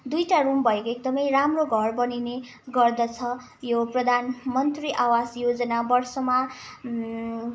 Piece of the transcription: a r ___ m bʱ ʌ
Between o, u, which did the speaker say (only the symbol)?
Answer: u